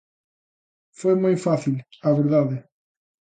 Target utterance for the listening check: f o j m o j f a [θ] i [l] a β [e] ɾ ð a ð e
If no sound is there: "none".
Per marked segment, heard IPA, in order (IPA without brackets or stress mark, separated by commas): θ, l, e